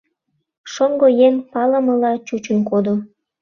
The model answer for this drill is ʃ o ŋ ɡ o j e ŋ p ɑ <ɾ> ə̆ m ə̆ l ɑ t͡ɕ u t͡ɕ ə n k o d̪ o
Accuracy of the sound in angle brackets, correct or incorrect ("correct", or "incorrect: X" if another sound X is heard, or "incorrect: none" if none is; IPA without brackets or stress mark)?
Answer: incorrect: l